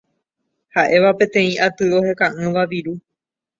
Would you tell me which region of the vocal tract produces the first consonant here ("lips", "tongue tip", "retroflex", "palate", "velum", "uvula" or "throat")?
throat